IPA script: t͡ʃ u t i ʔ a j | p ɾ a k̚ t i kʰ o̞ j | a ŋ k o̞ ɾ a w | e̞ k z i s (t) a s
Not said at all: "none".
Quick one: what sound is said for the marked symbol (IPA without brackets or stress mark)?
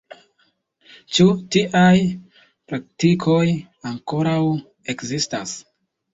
t